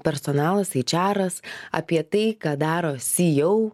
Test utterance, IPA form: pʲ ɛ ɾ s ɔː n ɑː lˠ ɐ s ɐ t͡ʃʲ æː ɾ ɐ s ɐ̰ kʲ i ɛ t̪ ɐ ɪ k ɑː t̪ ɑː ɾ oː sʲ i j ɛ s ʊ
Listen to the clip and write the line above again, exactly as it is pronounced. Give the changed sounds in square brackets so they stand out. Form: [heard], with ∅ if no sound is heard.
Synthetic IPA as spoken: pʲ ɛ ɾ s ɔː n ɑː lˠ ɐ s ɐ t͡ʃʲ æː ɾ ɐ s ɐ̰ [pʲ] i ɛ t̪ ɐ ɪ k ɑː [d̪] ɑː ɾ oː sʲ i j ɛ [∅] ʊ